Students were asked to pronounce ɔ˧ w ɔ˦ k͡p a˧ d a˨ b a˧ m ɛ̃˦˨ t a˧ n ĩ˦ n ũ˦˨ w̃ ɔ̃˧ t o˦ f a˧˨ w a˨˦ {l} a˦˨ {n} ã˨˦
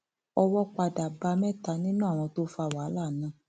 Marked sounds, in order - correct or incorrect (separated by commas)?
correct, correct